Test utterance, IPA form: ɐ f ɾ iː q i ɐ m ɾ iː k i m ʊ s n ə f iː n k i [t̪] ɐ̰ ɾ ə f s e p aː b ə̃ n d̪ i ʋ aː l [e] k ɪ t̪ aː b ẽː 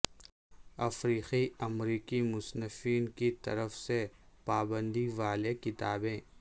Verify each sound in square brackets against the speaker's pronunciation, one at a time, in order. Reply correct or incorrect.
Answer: correct, correct

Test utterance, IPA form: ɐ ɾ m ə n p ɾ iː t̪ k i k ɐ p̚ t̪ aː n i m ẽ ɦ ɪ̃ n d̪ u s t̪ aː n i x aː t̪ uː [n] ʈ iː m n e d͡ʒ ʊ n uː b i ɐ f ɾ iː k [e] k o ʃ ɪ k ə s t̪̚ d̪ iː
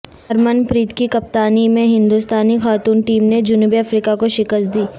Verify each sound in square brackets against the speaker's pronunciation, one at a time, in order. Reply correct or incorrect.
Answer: correct, incorrect: a

